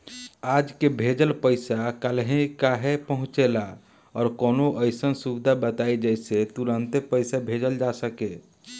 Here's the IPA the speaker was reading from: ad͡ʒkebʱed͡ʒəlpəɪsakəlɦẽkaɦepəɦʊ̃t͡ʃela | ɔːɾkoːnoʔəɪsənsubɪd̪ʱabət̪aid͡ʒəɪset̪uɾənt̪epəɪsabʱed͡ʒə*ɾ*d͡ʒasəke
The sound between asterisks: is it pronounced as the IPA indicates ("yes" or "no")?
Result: no